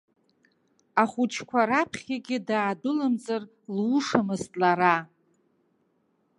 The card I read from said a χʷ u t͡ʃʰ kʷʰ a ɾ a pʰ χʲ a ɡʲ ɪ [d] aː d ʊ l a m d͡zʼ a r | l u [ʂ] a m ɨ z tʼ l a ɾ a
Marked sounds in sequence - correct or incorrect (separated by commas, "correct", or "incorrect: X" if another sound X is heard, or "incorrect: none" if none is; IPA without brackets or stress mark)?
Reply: correct, correct